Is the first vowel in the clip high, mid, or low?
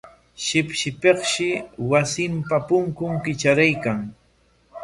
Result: high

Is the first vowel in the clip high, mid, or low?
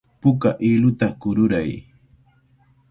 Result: high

